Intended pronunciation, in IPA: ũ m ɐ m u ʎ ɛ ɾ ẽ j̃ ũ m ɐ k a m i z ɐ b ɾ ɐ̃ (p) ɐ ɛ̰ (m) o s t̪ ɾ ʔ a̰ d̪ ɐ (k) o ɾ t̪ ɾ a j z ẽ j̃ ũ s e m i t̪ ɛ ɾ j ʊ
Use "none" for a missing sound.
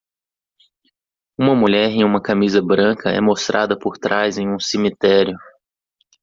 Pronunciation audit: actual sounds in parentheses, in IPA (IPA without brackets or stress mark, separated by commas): k, m, p